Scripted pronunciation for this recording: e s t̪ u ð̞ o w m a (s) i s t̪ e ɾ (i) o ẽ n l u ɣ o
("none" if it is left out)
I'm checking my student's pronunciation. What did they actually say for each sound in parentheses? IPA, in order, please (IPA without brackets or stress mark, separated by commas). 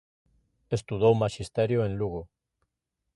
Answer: ʃ, j